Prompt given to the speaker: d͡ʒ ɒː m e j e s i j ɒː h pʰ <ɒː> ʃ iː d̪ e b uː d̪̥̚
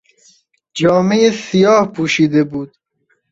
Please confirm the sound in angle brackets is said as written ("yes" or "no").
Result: no